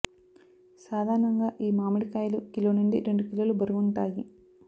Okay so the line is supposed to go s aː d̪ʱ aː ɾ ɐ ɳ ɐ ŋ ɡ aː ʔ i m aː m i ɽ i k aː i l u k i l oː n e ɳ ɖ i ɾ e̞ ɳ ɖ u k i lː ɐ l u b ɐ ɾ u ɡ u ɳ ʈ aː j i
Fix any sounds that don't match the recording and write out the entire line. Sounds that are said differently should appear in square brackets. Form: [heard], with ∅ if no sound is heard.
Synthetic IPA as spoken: s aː d̪ʱ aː ɾ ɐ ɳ ɐ ŋ ɡ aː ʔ [iː] m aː m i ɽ i k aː [j] l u k i l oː n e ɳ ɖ i ɾ e̞ ɳ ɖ u k i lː ɐ l u b ɐ ɾ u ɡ u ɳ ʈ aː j i